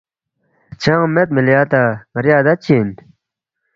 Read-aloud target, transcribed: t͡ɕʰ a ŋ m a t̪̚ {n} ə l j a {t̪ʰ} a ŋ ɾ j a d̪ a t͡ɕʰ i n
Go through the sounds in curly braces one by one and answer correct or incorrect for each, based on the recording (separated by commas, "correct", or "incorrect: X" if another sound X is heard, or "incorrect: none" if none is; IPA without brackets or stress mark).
incorrect: m, incorrect: t̪